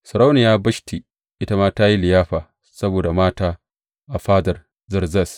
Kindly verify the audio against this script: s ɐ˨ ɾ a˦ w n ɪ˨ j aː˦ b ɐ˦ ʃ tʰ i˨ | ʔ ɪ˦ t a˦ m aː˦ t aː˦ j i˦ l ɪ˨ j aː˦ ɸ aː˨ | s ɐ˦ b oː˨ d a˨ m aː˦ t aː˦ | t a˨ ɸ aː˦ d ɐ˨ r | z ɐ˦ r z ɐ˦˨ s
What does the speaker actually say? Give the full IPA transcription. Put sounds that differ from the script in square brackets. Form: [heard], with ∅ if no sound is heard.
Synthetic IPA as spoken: s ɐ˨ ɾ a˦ w n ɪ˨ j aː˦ b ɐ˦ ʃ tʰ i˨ | ʔ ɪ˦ t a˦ m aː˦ t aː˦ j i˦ l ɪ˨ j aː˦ ɸ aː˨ | s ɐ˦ b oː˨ d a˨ m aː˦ t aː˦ | [ʔ] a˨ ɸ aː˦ d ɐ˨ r | z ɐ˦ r z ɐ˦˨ s